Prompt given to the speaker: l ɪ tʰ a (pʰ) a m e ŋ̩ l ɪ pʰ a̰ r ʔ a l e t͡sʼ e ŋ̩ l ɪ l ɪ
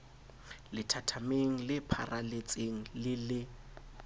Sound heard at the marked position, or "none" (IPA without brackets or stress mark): tʰ